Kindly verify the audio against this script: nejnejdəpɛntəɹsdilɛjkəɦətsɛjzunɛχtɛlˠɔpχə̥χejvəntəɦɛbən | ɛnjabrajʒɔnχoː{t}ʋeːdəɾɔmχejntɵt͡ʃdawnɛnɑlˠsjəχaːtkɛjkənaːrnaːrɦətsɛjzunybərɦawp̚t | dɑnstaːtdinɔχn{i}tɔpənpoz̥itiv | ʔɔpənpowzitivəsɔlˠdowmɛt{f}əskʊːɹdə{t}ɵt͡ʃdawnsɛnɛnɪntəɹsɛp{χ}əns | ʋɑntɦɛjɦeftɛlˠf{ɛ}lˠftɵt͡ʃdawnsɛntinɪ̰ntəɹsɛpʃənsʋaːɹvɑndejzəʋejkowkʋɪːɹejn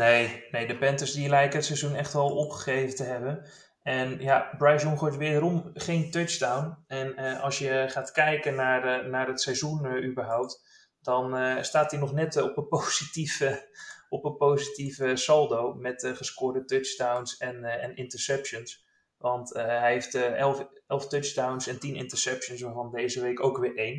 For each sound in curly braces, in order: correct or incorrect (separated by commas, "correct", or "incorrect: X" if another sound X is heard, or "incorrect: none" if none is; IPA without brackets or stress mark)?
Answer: correct, incorrect: ɛ, incorrect: χ, correct, incorrect: ʃ, correct